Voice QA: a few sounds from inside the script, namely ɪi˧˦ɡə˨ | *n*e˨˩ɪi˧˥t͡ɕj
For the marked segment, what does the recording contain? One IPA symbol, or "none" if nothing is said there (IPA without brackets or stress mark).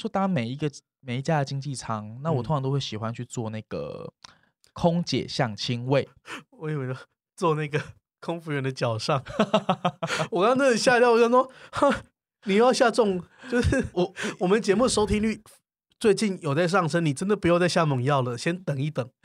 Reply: m